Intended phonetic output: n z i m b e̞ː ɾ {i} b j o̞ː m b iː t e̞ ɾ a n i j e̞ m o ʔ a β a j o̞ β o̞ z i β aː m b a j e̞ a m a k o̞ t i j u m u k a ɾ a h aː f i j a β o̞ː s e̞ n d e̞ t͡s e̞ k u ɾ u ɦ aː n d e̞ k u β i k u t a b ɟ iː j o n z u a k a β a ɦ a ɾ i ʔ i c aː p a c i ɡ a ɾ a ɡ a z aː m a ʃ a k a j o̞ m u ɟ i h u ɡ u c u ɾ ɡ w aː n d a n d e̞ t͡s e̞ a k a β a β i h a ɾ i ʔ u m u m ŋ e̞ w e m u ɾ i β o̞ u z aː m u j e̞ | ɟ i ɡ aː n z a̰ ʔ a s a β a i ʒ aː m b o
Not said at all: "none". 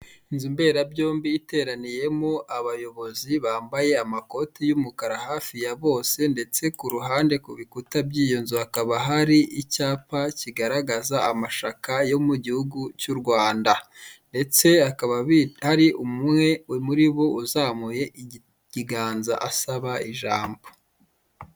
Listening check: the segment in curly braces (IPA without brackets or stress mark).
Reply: a